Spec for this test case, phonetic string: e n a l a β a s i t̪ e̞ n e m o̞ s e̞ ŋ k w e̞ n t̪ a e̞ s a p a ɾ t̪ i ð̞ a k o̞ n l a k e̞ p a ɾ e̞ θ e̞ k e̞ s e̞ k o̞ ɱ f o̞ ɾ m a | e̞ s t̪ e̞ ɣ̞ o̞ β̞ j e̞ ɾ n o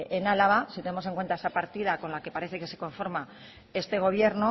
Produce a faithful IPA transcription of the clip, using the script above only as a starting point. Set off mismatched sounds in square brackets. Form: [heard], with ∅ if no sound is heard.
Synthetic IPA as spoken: e n a l a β a s i t̪ e̞ n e m o̞ s e̞ ŋ k w e̞ n t̪ a e̞ s a p a ɾ t̪ i ð̞ a k o̞ n l a k e̞ p a ɾ e̞ θ e̞ k e̞ s e̞ k o̞ ɱ f o̞ ɾ m a | e̞ s t̪ e̞ ɣ̞ o̞ β̞ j e̞ ɾ n o